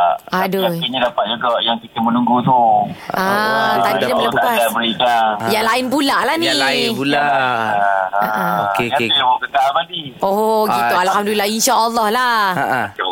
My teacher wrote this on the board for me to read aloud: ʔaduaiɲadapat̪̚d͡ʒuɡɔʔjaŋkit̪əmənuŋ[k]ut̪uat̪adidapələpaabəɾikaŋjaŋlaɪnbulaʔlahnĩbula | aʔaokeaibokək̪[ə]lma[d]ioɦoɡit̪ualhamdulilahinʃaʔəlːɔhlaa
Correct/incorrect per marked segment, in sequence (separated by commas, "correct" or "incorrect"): incorrect, incorrect, correct